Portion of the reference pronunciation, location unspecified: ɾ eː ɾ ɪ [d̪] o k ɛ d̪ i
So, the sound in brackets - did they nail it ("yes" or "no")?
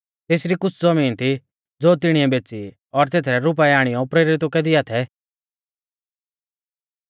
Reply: no